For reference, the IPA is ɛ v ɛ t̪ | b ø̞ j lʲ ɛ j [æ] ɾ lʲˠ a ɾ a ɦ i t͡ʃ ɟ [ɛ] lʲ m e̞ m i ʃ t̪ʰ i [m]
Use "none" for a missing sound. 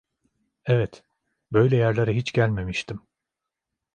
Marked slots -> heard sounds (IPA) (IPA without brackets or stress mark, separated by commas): æ, æ, m